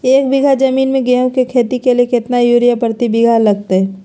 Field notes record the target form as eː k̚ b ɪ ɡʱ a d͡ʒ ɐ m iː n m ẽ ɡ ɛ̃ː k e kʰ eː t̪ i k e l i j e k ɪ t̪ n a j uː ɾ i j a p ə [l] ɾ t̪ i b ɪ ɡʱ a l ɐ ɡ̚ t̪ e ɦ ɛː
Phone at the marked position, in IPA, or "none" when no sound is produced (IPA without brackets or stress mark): none